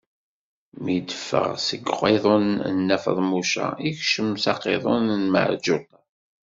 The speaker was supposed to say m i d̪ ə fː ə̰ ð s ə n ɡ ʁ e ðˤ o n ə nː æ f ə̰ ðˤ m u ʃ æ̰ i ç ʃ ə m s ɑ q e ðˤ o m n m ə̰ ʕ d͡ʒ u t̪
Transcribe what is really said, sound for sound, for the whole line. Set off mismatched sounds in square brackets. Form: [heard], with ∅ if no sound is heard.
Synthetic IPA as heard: m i d̪ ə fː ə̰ [ʁ] s ə [∅] ɡ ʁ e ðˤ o n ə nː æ f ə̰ ðˤ m u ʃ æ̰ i ç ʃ ə m s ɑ q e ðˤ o [n] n m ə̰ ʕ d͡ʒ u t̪